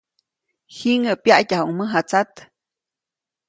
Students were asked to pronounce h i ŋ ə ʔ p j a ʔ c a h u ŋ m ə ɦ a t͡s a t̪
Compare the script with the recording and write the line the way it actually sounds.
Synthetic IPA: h i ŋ ə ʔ p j a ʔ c a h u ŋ m ə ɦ a t͡s a t̪